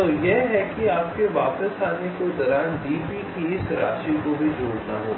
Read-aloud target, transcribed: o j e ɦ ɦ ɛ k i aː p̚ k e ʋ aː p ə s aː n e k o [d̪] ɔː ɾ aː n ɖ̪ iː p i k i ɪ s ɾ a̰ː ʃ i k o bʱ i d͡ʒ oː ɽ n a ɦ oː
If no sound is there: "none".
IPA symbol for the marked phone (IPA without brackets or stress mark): d̪